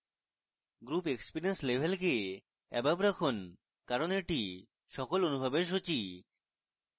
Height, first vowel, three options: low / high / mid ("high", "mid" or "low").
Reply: high